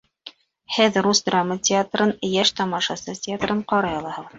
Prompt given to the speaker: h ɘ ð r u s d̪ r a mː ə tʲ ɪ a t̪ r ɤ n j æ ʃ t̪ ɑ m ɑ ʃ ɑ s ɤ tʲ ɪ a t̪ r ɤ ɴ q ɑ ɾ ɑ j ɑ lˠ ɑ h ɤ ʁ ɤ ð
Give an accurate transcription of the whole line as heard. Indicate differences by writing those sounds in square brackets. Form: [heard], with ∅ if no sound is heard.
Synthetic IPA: h ɘ ð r u s d̪ r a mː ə tʲ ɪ a t̪ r ɤ n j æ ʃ t̪ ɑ m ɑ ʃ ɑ s ɤ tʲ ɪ a t̪ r ɤ ɴ q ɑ ɾ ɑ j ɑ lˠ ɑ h ɤ ʁ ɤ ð